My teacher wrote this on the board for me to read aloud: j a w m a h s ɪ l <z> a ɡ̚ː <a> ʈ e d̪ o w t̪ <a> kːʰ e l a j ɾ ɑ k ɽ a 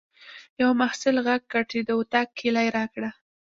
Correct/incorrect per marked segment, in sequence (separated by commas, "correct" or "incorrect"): incorrect, correct, correct